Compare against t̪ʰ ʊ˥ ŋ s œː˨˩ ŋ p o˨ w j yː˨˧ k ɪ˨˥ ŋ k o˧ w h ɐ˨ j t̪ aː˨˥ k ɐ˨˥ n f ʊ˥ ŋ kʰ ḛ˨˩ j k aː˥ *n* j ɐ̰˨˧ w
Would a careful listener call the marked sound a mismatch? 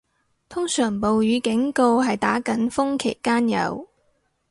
no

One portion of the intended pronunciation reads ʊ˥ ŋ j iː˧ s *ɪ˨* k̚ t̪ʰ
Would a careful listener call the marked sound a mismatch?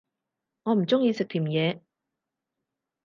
no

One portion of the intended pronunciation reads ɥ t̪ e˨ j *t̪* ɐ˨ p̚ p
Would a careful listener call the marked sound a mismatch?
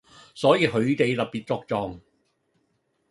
no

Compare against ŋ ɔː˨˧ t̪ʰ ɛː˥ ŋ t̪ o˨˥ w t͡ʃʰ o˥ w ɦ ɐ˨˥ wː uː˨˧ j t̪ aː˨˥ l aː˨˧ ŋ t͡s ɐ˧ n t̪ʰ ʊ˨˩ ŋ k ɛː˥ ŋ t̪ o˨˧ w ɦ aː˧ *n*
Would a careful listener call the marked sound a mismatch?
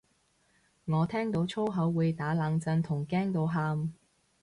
yes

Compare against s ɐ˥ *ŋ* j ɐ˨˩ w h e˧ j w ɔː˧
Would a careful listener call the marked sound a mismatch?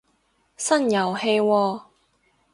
yes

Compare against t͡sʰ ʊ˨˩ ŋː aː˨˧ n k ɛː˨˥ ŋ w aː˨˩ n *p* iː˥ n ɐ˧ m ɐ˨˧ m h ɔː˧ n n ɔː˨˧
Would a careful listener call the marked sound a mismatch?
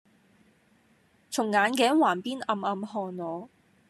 no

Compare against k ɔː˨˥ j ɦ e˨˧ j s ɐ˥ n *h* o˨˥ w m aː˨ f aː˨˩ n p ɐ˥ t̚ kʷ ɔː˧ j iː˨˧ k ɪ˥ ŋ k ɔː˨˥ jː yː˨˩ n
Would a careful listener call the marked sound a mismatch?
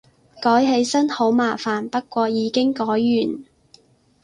no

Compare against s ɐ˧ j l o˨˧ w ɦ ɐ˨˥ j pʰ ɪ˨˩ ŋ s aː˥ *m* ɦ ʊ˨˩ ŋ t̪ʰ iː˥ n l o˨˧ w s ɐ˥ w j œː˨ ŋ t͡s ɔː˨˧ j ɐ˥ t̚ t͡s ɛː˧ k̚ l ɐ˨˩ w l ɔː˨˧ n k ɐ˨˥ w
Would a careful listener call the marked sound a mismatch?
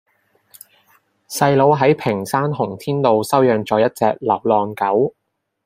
yes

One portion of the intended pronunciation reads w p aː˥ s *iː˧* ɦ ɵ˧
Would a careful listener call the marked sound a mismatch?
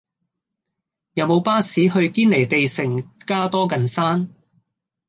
yes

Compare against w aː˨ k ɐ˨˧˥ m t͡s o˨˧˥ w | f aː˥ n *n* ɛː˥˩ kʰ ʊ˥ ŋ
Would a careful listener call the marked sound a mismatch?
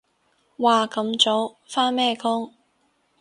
yes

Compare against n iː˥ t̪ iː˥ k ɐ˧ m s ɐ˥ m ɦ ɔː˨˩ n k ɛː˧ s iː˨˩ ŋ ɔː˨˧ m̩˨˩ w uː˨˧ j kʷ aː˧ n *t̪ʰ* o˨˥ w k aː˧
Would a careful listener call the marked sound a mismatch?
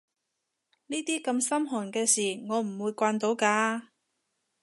yes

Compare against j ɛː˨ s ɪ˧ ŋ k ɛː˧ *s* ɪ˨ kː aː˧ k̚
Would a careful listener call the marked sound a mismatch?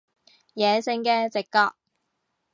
yes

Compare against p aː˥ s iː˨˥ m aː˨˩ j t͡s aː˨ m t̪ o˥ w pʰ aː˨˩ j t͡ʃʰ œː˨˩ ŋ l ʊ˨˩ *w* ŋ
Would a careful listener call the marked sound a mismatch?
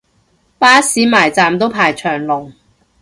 yes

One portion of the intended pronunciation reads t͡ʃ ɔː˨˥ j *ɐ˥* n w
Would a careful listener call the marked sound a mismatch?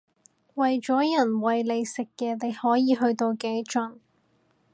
yes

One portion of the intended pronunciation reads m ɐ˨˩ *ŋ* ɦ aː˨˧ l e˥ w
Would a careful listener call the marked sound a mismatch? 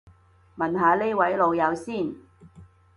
yes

